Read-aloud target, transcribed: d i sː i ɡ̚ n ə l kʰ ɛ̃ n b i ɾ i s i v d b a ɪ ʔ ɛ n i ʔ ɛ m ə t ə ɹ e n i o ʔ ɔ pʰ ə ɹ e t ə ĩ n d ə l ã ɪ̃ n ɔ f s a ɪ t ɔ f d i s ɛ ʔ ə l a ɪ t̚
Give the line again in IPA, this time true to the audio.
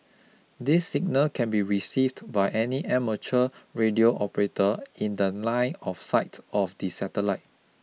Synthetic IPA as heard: d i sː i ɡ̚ n ə l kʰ ɛ̃ n b i ɹ i s i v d b a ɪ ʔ ɛ n i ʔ ɛ m ə t͡ʃ ə ɹ e d i o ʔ ɔ p ə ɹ e t ə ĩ n d ə l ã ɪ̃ n ɔ f s a ɪ t ɔ f d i s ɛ t ə l a ɪ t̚

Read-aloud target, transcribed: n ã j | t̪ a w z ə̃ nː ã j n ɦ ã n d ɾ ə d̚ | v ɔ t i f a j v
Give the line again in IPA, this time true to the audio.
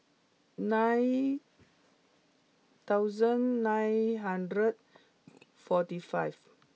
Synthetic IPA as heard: n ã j | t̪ a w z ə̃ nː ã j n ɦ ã n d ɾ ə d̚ | f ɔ t i f a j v

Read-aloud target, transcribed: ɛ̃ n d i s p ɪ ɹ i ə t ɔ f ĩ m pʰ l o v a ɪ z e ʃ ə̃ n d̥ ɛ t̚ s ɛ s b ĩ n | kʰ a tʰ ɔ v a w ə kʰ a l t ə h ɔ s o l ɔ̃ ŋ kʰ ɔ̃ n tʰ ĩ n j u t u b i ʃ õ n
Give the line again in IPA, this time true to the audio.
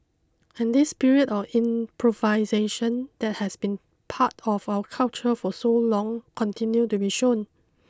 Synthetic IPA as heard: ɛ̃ n d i s p i ɹ i ə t ɔ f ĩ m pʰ ɹ o v a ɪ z e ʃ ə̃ n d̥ ɛ t̚ h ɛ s b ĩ n | pʰ a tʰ ɔ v a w ə kʰ a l t͡ʃ ə f ɔ s o l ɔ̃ ŋ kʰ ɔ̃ n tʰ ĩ n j u t u b i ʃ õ n

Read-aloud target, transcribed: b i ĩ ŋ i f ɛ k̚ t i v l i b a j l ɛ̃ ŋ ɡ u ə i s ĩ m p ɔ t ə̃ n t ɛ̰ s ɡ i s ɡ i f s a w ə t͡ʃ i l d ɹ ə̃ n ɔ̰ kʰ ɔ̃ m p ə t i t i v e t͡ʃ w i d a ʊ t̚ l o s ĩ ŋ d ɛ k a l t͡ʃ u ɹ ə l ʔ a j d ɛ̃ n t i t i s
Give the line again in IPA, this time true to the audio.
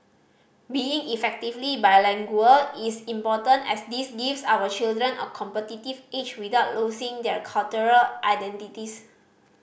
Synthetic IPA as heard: b i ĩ ŋ i f ɛ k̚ t i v l i b a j l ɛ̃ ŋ ɡ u ə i s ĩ m p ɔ t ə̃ n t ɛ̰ s d i s ɡ i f s a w ə t͡ʃ i l d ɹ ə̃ n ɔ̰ kʰ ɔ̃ m p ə t i t i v e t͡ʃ w i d a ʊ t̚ l o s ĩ ŋ d ɛ kʰ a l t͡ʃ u ɹ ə l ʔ a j d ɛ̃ n t i t i s

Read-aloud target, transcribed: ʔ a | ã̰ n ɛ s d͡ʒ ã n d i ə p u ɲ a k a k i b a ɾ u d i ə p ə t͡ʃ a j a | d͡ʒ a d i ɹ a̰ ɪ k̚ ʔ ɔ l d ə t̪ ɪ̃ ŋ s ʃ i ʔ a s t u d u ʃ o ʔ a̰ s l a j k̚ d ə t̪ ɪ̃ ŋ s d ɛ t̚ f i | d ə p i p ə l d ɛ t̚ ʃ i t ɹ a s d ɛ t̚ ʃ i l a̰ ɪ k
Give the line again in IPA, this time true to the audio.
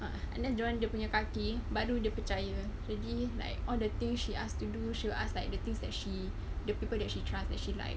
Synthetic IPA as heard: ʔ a | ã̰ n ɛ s d͡ʒ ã n d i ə p u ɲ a k a k i b a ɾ u d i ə p ə t͡ʃ a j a | d͡ʒ a d i l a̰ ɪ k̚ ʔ ɔ l d ə t̪ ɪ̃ ŋ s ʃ i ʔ a s t u d u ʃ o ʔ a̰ s l a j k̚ d ə t̪ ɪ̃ ŋ s d ɛ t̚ ʃ i | d ə p i p ə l d ɛ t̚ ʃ i t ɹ a s d ɛ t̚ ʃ i l a̰ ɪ k

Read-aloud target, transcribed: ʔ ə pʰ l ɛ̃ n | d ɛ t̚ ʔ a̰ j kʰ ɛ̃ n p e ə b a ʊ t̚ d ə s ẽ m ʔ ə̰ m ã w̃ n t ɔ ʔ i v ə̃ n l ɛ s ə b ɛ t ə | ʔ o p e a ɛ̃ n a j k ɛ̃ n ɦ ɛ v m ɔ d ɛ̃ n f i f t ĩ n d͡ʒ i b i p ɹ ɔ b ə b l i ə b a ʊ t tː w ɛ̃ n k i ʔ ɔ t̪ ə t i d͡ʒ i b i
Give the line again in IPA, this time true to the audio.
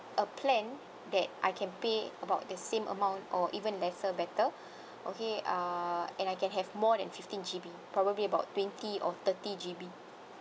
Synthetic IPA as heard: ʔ ə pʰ l ɛ̃ n | d ɛ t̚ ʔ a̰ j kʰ ɛ̃ n p e ə b a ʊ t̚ d ə s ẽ m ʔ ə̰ m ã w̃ n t ɔ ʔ i v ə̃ n l ɛ s ə b ɛ t ə | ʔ o k e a ɛ̃ n a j k ɛ̃ n ɦ ɛ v m ɔ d ɛ̃ n f i f t ĩ n d͡ʒ i b i p ɹ ɔ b ə b l i ə b a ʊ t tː w ɛ̃ n t i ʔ ɔ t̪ ə t i d͡ʒ i b i

